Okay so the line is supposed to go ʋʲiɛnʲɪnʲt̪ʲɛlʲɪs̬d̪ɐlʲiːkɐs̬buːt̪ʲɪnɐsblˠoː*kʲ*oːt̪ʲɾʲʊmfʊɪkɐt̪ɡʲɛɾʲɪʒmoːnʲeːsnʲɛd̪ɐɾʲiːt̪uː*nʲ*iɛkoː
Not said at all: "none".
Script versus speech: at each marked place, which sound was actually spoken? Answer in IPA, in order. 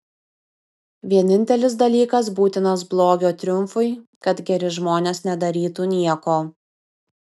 ɡʲ, nʲ

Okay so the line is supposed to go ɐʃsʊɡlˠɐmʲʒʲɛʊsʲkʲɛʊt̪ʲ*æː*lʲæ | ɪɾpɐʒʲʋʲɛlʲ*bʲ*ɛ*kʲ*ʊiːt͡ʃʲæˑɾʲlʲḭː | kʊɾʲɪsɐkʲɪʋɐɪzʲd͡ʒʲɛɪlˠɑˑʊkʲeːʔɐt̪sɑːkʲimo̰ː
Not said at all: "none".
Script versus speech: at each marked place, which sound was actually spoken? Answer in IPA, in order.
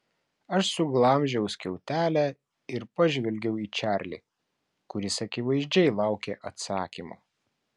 æː, ɡʲ, none

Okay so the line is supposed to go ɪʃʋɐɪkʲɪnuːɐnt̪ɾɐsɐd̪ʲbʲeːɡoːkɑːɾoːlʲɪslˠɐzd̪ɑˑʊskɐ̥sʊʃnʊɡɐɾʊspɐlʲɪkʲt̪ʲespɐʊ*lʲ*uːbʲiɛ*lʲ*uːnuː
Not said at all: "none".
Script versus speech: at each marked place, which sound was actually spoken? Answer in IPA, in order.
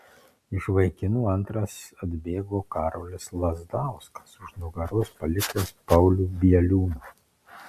lʲ, lʲ

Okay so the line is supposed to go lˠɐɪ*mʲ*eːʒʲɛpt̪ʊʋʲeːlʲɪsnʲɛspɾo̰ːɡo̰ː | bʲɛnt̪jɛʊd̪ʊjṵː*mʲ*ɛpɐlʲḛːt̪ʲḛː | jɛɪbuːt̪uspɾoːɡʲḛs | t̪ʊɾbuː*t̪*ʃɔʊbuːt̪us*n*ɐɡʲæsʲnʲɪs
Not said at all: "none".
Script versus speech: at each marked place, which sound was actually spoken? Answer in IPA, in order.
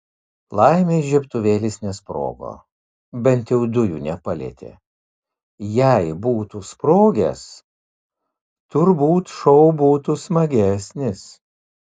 mʲ, nʲ, t̪, m

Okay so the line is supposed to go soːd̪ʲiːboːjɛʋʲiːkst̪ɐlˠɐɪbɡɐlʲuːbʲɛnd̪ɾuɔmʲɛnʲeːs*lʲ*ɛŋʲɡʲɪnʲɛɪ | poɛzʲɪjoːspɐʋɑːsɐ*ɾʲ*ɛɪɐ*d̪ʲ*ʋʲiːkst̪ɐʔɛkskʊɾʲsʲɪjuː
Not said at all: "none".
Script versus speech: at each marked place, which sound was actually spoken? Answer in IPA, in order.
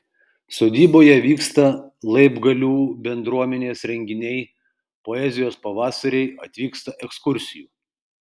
ɾʲ, ɾʲ, t̪ʲ

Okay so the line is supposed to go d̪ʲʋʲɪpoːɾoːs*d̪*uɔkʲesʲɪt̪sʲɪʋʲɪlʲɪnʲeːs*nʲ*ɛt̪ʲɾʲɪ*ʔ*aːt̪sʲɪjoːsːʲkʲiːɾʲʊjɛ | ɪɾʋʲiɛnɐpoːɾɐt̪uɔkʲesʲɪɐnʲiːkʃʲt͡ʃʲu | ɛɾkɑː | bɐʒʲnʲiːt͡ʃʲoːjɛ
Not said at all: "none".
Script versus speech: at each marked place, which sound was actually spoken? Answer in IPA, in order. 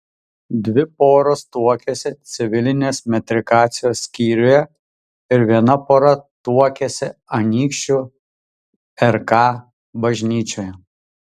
t̪, mʲ, k

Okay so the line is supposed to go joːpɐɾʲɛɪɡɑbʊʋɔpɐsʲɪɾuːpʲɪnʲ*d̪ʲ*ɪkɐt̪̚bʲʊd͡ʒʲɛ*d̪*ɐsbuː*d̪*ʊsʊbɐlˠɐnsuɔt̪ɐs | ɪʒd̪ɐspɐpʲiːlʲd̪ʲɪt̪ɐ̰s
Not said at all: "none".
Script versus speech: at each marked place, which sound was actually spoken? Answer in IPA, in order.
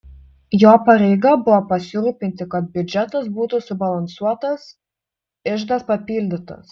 t̪ʲ, t̪, t̪

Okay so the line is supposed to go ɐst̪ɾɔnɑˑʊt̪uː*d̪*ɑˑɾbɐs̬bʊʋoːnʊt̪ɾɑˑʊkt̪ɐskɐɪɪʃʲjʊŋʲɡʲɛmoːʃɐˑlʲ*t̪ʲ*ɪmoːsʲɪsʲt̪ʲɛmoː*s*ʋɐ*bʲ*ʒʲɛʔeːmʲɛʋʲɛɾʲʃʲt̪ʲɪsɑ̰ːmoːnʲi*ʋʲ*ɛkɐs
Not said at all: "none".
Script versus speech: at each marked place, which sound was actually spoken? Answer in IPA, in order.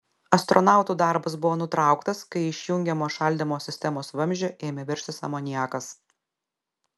d̪, d̪ʲ, s, mʲ, none

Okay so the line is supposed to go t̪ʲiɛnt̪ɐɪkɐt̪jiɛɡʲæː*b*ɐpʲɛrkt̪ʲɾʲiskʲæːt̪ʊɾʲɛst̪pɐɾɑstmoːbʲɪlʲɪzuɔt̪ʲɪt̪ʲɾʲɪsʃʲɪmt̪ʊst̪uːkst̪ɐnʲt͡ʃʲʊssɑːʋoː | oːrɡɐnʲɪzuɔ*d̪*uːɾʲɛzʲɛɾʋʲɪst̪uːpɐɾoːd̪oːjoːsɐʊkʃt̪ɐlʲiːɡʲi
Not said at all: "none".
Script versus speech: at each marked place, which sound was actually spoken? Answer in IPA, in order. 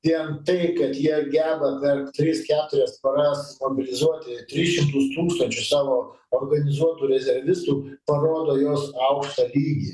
b, t̪

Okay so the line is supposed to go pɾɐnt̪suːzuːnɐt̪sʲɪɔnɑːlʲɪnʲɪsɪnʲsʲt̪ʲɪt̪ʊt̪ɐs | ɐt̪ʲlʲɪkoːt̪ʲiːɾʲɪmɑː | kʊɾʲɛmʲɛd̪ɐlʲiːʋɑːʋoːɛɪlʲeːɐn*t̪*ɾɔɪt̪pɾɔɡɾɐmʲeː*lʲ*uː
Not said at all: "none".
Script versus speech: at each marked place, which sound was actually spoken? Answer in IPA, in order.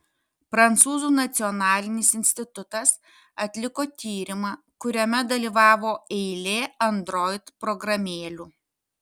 d̪, lʲ

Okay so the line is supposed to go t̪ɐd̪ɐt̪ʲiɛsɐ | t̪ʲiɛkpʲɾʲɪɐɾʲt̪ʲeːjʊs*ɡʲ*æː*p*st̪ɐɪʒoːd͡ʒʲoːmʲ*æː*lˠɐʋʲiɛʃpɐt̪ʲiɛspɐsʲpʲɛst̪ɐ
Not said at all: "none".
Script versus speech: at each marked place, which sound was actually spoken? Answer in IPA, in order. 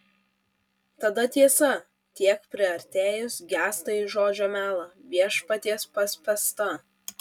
ɡʲ, none, æː

